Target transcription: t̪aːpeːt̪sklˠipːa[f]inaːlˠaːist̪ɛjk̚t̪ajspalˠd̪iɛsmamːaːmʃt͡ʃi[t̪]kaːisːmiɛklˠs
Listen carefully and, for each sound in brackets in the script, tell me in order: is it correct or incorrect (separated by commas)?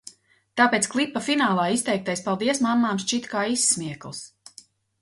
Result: correct, correct